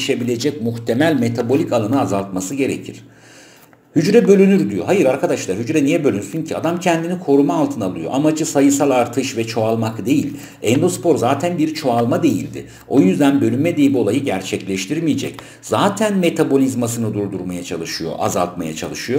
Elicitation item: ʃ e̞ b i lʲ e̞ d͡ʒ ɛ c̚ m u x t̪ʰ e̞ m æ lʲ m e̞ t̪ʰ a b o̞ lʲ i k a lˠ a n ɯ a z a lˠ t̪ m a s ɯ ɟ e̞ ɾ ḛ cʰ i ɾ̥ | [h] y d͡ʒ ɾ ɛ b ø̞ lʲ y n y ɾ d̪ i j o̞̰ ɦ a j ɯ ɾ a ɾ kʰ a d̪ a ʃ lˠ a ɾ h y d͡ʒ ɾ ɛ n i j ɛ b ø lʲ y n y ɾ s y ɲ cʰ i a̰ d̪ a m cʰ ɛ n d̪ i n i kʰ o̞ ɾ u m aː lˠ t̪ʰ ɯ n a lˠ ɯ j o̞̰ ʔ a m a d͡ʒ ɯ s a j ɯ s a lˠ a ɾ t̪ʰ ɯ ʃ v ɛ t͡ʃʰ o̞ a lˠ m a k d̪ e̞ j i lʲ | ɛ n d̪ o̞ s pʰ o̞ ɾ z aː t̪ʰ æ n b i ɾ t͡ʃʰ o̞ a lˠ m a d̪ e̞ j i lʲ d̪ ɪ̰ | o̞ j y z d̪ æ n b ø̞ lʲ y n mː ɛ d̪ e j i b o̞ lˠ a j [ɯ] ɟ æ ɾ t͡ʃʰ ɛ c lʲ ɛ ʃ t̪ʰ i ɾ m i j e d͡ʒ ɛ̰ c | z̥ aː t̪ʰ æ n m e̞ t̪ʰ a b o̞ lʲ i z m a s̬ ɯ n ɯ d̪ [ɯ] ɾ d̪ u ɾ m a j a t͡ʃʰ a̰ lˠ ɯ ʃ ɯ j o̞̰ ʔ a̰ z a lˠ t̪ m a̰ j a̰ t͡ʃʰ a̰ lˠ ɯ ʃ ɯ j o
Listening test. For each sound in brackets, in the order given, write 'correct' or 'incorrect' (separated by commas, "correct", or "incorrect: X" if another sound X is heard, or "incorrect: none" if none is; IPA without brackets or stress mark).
correct, correct, incorrect: u